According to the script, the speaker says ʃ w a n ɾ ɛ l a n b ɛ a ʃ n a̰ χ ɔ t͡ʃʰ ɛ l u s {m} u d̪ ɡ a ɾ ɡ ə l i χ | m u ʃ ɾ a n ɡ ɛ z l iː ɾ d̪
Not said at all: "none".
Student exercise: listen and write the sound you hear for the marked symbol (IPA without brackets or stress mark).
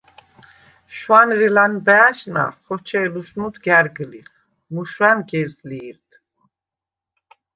n